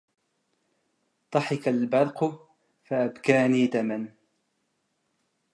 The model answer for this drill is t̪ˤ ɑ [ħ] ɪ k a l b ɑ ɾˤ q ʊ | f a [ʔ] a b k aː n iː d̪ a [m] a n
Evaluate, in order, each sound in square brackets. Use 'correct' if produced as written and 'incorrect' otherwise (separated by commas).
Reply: correct, correct, correct